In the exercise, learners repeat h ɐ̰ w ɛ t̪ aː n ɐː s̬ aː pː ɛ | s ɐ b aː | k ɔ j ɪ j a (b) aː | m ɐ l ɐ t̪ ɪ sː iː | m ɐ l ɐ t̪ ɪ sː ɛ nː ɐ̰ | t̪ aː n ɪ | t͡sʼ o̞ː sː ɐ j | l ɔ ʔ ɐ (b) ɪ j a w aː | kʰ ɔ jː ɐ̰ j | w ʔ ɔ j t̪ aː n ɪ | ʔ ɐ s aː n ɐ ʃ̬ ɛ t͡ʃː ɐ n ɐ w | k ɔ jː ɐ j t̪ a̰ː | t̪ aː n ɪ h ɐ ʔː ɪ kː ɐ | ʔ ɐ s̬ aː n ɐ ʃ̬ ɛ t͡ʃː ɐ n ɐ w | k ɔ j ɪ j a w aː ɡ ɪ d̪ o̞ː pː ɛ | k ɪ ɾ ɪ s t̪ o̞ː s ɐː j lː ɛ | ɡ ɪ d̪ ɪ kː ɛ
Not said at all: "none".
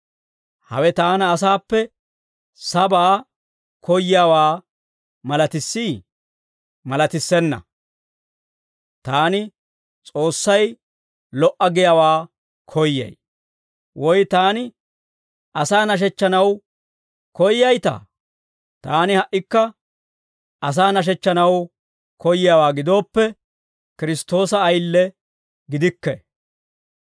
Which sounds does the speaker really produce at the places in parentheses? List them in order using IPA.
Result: w, ɡ

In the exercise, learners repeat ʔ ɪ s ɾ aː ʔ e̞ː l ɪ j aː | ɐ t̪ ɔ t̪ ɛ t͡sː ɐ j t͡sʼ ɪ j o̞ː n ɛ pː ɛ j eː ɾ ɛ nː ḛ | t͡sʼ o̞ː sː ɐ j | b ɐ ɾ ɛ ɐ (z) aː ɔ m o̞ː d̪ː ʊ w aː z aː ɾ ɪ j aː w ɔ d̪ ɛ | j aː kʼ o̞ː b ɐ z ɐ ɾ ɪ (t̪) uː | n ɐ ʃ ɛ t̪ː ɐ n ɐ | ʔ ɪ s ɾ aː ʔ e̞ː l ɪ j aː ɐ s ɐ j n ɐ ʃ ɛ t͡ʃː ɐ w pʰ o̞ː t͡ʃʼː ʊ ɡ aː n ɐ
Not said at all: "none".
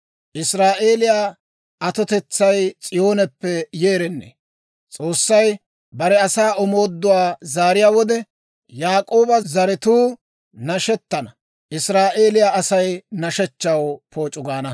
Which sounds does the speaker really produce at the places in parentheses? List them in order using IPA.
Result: s, t̪

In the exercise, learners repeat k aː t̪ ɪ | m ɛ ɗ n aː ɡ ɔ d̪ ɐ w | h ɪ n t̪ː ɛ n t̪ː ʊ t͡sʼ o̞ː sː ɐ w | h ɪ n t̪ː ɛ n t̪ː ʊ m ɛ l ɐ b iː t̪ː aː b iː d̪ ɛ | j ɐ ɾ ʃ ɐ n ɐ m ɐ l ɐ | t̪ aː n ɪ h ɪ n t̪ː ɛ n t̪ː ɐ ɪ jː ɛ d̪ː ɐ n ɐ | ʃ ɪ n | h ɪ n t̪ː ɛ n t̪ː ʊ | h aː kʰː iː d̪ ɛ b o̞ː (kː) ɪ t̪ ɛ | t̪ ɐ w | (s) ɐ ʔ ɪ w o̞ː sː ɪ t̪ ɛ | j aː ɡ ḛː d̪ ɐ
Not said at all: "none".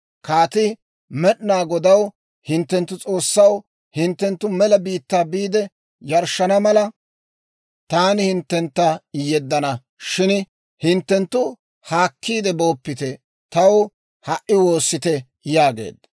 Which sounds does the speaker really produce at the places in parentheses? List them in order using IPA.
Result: pː, h

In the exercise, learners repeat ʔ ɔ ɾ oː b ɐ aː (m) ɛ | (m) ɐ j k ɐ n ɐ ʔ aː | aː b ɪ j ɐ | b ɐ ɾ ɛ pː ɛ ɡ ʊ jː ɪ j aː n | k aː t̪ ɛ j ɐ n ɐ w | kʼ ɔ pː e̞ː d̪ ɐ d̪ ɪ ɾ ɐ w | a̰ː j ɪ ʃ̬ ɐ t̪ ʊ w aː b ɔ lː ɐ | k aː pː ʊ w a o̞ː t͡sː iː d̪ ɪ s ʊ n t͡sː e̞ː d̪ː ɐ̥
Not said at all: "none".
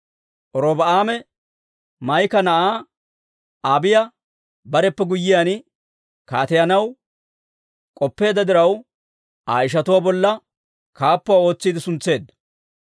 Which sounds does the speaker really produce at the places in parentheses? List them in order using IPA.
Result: m, m

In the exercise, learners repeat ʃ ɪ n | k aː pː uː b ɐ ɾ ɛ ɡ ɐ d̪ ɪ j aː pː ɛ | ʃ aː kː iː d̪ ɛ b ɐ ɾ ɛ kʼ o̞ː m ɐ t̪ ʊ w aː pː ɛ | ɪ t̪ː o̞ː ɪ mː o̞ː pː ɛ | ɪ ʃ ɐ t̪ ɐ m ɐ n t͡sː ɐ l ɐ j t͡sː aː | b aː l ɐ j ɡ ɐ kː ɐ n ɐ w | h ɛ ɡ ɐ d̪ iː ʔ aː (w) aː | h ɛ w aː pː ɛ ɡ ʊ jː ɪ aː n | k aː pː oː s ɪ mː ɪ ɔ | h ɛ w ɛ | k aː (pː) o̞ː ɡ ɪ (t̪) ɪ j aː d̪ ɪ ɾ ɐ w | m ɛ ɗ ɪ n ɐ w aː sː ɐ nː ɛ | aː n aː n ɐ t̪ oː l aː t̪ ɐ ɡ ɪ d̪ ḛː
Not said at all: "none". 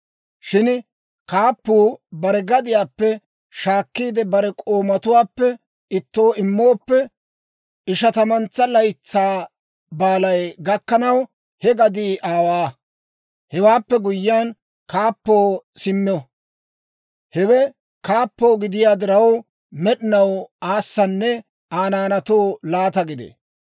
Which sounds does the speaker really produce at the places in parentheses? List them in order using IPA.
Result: w, pː, d̪

